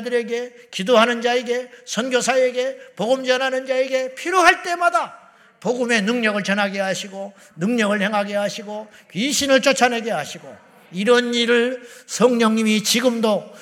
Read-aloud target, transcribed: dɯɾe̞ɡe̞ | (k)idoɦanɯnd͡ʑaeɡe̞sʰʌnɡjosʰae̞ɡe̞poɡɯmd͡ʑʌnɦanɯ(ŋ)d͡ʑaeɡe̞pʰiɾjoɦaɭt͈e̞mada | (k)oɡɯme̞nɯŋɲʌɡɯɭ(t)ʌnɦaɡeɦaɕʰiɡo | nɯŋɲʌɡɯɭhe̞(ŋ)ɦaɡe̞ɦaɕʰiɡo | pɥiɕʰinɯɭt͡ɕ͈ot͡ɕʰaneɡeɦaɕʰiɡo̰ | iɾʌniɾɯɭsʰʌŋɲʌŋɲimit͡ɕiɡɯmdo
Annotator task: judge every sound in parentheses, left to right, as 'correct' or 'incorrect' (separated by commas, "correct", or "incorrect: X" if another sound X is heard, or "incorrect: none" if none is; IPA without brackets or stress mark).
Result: correct, incorrect: n, incorrect: p, incorrect: t͡ɕ, correct